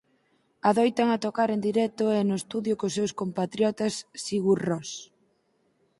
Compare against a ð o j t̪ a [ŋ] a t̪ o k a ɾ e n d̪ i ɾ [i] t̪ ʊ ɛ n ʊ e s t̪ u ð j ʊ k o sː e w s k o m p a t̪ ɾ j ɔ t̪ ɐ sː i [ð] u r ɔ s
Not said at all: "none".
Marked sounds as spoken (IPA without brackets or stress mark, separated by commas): ŋ, ɛ, ɣ